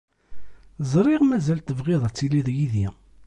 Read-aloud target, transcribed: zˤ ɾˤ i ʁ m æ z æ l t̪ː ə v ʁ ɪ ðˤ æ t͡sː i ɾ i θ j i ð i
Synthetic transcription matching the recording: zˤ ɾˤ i ʁ m æ z æ l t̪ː ə v ʁ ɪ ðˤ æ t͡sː i l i ð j i ð i